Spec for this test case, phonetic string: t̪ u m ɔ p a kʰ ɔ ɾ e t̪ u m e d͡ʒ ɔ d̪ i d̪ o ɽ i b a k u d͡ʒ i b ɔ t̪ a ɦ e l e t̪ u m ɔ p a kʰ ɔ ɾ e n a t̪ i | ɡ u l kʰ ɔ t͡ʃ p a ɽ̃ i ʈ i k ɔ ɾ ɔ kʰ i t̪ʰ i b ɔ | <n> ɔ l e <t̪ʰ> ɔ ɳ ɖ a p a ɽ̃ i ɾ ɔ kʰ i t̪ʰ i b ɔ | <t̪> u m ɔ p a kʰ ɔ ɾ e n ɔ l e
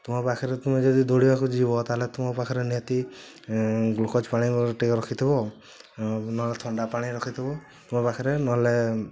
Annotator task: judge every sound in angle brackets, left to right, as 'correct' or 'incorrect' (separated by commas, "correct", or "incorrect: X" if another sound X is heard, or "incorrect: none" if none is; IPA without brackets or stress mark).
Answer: correct, correct, correct